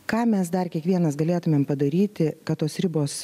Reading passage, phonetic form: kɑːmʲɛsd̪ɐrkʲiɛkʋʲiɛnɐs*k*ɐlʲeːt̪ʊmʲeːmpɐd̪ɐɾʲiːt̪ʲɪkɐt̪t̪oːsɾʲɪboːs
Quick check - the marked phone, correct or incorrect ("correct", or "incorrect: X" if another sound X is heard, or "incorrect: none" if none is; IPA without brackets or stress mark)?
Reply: incorrect: ɡ